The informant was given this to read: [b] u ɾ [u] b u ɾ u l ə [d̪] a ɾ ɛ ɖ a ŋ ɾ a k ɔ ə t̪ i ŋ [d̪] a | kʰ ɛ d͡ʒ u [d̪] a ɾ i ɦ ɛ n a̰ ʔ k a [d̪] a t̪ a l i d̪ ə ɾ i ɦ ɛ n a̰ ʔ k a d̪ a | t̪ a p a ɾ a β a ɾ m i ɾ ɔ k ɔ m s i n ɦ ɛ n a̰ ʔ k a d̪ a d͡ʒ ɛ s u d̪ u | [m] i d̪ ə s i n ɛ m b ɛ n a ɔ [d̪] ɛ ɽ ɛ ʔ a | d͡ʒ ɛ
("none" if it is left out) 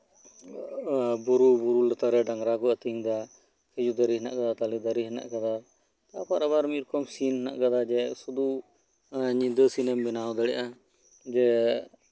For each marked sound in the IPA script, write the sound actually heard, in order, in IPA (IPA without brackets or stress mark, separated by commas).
b, u, t̪, d̪, d̪, d̪, ɲ, d̪